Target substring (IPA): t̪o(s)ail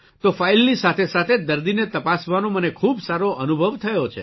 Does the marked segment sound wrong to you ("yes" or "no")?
yes